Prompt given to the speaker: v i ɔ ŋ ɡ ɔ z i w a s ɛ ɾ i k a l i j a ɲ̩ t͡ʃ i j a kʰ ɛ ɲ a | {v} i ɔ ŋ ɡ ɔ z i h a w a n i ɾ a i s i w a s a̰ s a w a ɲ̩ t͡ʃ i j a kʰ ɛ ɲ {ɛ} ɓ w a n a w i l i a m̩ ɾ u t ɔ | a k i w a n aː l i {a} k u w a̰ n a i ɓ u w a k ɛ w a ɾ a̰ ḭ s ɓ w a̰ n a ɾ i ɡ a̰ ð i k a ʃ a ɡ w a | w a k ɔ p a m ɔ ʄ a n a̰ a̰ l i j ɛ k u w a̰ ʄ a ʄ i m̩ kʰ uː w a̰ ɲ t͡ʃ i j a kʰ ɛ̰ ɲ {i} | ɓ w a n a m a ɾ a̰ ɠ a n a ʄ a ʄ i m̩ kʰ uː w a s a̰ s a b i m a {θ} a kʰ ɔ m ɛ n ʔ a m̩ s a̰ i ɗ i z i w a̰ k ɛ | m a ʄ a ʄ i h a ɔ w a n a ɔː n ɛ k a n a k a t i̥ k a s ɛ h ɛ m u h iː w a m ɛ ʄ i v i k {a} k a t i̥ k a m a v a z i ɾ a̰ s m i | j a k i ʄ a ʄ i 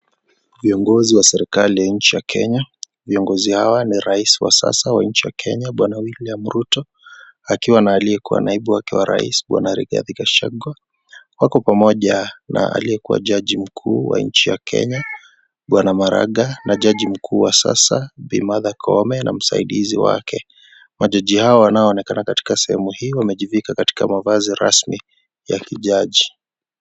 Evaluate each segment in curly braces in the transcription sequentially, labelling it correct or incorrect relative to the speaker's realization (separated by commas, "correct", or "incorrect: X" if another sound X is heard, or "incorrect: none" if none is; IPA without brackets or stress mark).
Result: correct, incorrect: a, incorrect: ɛ, incorrect: a, incorrect: ð, correct